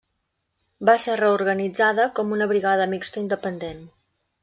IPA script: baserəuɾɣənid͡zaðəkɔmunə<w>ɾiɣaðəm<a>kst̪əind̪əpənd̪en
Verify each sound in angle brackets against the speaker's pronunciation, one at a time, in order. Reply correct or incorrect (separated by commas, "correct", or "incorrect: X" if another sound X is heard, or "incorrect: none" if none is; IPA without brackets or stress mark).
incorrect: β, incorrect: i